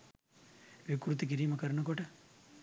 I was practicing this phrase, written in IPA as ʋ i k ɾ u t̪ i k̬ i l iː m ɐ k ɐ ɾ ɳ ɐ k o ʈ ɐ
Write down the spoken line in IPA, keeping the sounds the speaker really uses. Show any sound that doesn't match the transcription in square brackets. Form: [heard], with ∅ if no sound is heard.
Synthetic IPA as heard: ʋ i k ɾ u t̪ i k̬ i [ɾ] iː m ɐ k ɐ ɾ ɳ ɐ k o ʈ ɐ